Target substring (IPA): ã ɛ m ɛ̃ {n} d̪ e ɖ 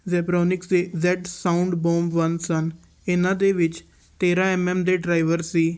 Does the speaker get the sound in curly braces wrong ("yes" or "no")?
yes